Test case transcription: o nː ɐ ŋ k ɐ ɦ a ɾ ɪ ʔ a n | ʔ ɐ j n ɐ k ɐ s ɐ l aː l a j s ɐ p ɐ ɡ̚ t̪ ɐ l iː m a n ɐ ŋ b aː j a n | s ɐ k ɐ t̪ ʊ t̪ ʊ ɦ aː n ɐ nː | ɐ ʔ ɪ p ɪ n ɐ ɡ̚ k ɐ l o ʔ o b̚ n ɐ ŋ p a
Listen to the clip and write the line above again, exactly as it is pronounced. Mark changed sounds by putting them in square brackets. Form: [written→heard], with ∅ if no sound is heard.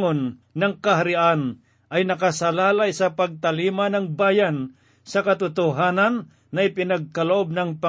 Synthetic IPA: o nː ɐ ŋ k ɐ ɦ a ɾ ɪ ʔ a n | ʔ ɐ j n ɐ k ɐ s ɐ l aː l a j s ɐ p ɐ ɡ̚ t̪ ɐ l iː m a n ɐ ŋ b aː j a n | s ɐ k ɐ t̪ ʊ t̪ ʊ ɦ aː n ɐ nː | ɐ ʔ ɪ p ɪ n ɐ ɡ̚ k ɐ l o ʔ o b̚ n ɐ ŋ p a